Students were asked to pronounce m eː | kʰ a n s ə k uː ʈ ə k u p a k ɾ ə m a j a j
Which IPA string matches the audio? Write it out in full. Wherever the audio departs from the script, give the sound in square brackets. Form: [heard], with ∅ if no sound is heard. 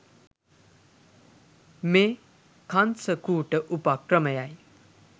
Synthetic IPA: m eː | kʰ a n s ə k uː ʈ ə [ʔ] u p a k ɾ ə m [ə] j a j